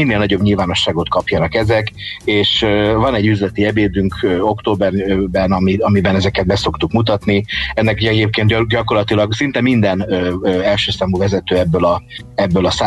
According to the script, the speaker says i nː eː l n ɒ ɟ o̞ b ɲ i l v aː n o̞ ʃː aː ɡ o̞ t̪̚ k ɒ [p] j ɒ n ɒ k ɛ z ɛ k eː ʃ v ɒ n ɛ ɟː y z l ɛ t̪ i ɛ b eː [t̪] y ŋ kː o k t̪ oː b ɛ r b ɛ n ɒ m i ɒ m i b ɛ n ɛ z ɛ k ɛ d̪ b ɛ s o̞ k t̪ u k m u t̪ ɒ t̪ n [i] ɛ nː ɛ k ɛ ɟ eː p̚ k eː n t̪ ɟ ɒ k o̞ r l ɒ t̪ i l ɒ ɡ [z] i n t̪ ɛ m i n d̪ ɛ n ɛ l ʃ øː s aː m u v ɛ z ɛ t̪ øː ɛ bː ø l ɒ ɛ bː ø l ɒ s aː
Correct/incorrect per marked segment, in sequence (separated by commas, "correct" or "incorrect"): correct, incorrect, correct, incorrect